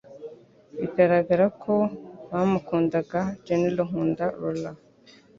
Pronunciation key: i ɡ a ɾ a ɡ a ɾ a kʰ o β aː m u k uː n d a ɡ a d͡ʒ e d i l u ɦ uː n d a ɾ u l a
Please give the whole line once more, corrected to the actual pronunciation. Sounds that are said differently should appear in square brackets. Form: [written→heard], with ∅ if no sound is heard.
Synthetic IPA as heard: i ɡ a ɾ a ɡ a ɾ a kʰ o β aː m u k uː n d a ɡ a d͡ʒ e [d→n] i l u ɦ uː n d a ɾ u l a